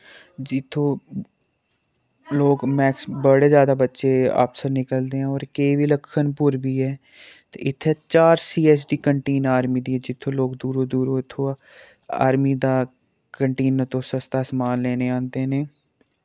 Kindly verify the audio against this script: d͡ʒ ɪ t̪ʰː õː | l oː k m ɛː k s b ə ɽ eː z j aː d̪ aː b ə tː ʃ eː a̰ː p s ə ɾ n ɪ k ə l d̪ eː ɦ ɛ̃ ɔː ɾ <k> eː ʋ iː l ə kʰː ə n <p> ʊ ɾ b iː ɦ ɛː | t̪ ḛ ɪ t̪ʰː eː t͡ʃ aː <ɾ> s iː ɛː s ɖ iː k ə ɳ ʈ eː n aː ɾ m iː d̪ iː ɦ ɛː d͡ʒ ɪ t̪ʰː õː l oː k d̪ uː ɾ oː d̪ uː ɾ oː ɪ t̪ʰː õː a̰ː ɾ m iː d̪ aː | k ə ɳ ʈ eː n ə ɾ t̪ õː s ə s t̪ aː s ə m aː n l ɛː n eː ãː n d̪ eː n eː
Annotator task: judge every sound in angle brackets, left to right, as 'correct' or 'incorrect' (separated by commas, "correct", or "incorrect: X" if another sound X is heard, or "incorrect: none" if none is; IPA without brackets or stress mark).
correct, correct, correct